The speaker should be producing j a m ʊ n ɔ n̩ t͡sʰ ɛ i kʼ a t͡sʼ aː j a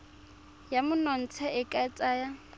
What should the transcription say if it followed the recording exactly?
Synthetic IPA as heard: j a m ʊ n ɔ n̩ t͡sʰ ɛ ɪ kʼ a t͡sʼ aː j a